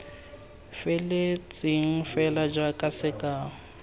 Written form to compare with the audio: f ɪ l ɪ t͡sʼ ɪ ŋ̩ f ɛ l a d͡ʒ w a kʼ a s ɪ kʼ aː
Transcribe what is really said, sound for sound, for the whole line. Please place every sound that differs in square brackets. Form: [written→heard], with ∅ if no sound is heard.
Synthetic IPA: f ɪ l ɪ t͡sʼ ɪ ŋ̩ f ɛ l a d͡ʒ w a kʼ a s ɪ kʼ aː

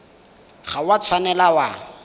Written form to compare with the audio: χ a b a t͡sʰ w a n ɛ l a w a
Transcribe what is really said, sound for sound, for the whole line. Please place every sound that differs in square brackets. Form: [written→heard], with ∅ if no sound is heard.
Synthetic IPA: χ a [b→w] a t͡sʰ w a n ɛ l a w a

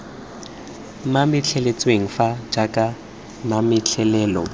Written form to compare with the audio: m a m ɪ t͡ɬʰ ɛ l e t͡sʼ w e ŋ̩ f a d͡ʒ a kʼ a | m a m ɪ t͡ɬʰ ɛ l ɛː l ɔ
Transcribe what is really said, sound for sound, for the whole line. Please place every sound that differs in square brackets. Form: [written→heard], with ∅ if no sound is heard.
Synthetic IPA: m a m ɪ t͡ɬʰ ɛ l e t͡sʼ w e ŋ̩ f a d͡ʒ a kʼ a | m a m ɪ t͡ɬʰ ɛ l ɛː l ɔ

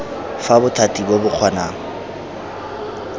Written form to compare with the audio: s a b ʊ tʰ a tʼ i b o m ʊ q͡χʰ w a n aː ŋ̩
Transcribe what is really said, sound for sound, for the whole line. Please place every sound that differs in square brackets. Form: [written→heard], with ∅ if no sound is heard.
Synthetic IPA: [s→f] a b ʊ tʰ a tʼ i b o [m→b] ʊ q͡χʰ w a n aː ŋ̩

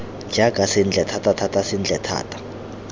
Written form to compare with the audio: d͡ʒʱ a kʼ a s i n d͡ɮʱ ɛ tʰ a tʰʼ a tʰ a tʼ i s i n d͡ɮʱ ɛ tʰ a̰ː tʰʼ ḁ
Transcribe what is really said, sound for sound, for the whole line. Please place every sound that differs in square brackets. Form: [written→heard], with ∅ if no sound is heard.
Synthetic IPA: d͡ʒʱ a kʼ a s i n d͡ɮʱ ɛ tʰ a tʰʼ a tʰ a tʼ [i→a] s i n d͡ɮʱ ɛ tʰ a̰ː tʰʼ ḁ

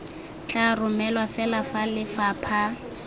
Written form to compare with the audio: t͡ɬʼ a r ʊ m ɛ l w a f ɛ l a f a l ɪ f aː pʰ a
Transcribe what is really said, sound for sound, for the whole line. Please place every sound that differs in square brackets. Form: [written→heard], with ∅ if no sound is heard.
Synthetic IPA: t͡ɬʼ a r ʊ m ɛ l w a f ɛ l a f a l ɪ f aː pʰ a

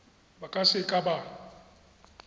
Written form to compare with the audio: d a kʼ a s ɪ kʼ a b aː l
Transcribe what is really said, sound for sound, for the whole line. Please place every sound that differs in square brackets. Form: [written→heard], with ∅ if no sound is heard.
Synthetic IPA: [d→b] a kʼ a s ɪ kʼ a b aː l

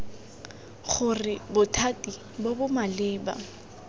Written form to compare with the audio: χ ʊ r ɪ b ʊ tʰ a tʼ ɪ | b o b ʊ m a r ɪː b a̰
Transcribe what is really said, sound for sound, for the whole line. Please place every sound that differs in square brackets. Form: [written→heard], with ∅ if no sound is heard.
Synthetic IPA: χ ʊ r ɪ b ʊ tʰ a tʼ [ɪ→i] | b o b ʊ m a [r→l] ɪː b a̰

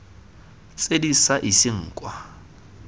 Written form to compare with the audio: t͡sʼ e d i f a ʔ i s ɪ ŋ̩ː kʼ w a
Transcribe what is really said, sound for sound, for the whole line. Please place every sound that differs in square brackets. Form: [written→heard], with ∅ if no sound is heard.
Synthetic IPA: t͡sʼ e d i [f→s] a ʔ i s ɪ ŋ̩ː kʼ w a

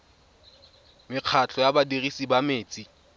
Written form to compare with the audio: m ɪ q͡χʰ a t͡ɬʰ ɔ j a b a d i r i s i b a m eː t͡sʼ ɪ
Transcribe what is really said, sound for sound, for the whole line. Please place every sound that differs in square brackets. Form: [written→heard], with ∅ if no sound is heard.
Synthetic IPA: m ɪ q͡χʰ a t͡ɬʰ ɔ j a b a d i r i s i b a m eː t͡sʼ [ɪ→i]

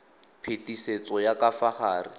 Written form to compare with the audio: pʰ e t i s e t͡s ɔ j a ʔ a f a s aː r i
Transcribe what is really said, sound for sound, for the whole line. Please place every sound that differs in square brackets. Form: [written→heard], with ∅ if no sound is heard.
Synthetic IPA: pʰ e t i s e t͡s ɔ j a [ʔ→k] a f a [s→χ] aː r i

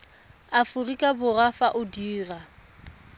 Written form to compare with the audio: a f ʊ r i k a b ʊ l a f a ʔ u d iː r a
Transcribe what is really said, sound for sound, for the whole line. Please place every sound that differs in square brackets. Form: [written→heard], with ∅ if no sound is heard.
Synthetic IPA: a f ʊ r i [k→kʼ] a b ʊ [l→r] a f a ʔ [u→ʊ] d iː r a

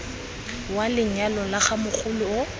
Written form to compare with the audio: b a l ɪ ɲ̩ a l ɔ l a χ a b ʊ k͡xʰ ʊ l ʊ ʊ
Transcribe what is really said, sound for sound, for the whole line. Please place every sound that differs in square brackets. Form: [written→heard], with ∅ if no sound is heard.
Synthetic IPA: [b→w] a l ɪ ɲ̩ a l ɔ l a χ a [b→m] ʊ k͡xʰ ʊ l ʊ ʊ

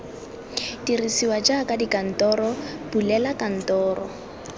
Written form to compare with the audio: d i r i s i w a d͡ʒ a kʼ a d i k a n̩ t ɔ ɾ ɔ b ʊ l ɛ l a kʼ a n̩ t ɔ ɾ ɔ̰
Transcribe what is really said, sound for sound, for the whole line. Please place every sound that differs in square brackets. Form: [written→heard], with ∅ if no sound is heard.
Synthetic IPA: d i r i s i w a d͡ʒ a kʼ a d i k a n̩ t ɔ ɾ ɔ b [ʊ→u] l ɛ l a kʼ a n̩ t [ɔ→ɔː] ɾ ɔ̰

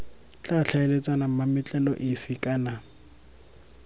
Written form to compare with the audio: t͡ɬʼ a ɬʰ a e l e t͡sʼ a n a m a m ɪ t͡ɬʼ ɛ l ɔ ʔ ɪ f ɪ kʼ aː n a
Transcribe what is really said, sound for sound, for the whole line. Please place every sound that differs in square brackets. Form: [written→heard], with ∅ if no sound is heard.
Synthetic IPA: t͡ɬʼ a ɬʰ a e l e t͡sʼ a n a m a m ɪ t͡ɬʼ ɛ l ɔ ʔ ɪ f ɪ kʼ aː n a

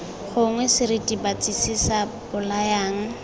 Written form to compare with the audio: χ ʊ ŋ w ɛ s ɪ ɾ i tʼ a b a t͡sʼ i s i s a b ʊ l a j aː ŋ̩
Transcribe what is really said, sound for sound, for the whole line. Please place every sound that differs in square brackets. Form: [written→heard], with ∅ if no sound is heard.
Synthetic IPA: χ ʊ ŋ w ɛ s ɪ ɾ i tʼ [a→i] b a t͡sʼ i s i s a b ʊ l a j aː ŋ̩

